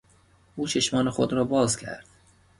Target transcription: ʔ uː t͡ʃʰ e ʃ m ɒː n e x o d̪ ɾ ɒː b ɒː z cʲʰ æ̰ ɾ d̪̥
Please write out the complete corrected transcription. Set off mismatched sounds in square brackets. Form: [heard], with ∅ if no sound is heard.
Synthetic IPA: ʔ uː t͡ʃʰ e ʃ m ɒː n e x o d̪ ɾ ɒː b ɒː z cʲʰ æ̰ ɾ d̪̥